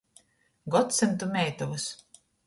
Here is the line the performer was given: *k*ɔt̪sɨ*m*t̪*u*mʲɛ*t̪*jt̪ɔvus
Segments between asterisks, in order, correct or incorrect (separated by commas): incorrect, incorrect, correct, incorrect